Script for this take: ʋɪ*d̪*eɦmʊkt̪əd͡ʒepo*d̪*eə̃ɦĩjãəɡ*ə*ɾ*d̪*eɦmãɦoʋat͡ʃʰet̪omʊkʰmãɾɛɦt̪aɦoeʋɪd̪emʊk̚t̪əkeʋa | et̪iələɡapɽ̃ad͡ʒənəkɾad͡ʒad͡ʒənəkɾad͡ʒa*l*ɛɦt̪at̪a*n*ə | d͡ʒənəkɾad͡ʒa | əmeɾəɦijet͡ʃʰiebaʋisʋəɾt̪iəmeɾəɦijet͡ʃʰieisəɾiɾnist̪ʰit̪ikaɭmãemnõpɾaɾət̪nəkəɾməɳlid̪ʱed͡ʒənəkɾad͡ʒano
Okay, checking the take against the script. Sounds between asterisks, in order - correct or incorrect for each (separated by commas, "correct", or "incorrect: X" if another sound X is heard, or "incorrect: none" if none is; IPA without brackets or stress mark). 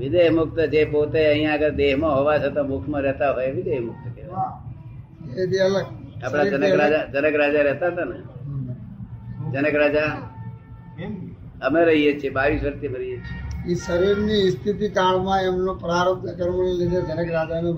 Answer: correct, incorrect: t̪, correct, correct, incorrect: ɾ, correct